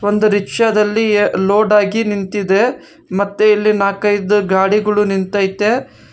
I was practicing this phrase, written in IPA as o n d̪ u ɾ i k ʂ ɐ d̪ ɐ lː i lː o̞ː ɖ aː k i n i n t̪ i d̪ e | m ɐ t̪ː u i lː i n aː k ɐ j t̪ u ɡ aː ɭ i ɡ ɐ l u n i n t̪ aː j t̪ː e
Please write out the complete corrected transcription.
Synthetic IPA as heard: o n d̪ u ɾ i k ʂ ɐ d̪ ɐ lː i l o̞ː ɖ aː ɡ i n i n t̪ i d̪ e | m ɐ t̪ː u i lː i n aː k ɐ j d̪ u ɡ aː ɽ i ɡ ɐ ɭ u n i n t̪ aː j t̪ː e